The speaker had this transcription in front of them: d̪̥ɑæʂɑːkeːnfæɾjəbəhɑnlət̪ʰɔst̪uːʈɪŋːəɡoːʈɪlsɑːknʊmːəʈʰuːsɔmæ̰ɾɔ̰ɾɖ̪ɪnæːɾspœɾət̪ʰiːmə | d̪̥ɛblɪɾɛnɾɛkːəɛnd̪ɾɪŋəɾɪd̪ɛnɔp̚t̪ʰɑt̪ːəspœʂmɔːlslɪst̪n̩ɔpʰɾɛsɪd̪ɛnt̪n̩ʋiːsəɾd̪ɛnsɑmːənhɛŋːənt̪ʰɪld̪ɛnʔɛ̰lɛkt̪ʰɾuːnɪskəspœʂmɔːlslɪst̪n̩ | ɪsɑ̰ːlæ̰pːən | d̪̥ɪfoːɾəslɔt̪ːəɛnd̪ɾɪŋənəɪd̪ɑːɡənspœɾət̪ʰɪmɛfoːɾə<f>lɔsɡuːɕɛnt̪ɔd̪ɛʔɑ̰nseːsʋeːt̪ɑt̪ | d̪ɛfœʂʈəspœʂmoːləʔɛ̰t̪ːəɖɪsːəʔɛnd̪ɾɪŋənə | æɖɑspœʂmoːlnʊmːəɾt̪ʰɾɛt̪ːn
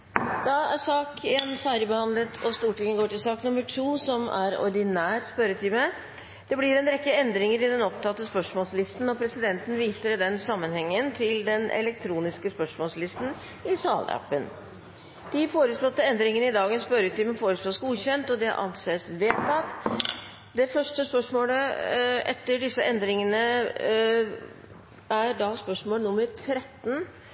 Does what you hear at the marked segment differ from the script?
yes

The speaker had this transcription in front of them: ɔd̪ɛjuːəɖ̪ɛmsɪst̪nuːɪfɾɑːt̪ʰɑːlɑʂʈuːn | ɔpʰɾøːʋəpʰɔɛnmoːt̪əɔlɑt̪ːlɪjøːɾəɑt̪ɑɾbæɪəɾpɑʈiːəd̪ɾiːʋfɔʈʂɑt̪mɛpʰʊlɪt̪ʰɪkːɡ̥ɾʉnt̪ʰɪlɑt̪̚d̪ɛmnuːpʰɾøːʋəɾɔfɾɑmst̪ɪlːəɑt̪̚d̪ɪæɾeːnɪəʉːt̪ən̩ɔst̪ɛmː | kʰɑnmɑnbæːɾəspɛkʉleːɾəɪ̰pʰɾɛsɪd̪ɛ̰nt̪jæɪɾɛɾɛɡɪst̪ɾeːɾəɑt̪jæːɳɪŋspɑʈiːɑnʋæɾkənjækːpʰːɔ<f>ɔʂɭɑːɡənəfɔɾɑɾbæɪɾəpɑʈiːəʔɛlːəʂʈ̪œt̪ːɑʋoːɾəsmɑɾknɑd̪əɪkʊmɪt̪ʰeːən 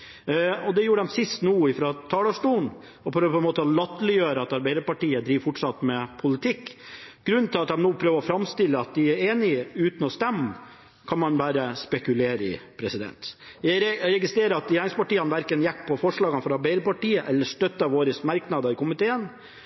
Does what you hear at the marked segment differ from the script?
no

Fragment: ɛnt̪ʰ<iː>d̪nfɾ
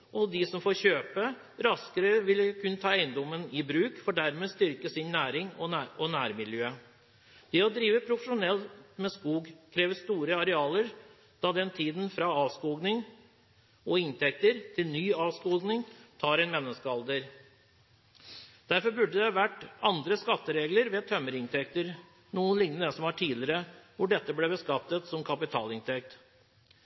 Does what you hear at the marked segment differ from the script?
no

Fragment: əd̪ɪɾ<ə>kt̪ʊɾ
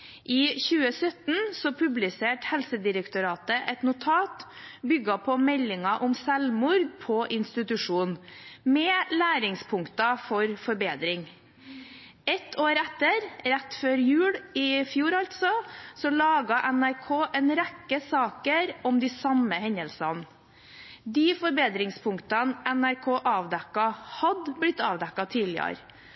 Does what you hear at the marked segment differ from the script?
no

